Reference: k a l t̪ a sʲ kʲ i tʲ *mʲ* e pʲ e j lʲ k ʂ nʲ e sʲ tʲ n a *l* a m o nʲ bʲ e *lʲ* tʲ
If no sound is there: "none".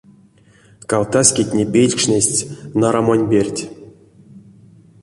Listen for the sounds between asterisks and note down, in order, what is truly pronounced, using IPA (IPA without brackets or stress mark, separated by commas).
nʲ, ɾ, rʲ